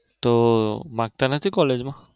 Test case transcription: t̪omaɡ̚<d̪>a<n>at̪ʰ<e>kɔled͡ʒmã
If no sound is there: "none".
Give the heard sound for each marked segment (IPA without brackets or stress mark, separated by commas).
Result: t̪, n, i